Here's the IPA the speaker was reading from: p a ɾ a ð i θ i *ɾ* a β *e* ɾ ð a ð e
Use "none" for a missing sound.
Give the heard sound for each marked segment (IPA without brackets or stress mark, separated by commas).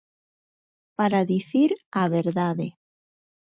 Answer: ɾ, e